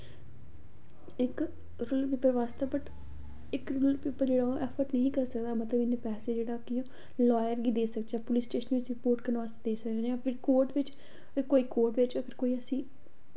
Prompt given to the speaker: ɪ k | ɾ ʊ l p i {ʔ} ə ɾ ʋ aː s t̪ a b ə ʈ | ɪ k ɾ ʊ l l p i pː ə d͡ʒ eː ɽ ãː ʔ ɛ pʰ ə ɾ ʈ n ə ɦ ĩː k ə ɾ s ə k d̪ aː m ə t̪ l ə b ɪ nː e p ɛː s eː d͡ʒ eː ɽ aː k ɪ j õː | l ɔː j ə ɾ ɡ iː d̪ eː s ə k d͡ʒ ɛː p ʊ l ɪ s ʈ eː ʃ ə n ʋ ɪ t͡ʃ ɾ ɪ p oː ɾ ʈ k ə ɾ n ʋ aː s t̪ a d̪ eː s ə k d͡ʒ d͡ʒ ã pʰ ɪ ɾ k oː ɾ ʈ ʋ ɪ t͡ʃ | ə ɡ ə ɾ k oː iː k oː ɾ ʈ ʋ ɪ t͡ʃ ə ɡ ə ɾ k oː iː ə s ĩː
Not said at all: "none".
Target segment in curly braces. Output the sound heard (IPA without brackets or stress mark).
p